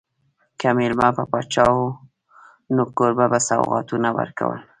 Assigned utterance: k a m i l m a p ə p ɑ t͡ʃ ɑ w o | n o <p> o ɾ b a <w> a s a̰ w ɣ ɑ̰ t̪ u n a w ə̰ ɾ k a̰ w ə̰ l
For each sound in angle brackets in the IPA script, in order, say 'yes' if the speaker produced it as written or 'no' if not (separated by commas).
no, no